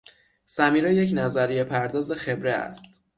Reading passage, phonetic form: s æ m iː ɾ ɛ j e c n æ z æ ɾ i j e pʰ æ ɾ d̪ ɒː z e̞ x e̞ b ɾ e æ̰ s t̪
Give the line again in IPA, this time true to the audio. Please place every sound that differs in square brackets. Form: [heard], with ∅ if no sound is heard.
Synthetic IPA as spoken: s æ m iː ɾ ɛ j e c n æ z æ ɾ i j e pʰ æ ɾ d̪ ɒː z e̞ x e̞ b ɾ e æ̰ s t̪